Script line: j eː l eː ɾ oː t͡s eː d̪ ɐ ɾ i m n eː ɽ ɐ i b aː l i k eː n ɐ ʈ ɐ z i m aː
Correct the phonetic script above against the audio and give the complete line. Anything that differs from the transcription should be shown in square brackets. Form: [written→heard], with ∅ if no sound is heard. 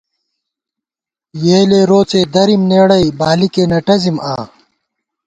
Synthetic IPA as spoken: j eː l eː ɾ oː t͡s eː d̪ ɐ ɾ i m n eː ɽ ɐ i b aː l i k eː n ɐ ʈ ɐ z i m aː

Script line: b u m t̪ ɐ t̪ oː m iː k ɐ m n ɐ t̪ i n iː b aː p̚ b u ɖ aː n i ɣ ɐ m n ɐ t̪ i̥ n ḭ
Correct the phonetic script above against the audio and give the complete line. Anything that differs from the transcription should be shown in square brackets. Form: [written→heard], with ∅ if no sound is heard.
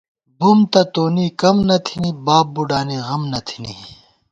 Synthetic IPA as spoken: b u m t̪ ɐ t̪ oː [m→n] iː k ɐ m n ɐ [t̪→t̪ʰ] i n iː b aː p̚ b u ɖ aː n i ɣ ɐ m n ɐ [t̪→t̪ʰ] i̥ n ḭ

